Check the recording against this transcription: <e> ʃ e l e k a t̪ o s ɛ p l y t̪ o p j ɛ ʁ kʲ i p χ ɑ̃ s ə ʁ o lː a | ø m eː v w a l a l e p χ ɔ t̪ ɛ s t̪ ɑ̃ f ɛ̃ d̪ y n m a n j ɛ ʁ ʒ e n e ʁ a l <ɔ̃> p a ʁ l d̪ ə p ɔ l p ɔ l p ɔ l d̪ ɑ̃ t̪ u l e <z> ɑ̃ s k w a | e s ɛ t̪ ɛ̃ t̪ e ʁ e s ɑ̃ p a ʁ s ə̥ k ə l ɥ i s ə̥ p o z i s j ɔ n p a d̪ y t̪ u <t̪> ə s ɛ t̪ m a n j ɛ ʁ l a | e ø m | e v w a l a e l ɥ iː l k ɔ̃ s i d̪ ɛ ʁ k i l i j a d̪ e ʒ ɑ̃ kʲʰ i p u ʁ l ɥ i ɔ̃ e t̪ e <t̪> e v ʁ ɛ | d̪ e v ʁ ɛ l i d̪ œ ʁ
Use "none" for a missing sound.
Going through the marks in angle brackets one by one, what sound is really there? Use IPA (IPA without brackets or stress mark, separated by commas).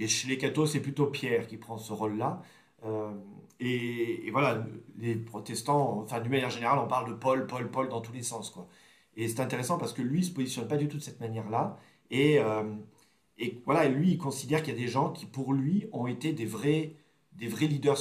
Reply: e, ɔ̃, s, d̪, d̪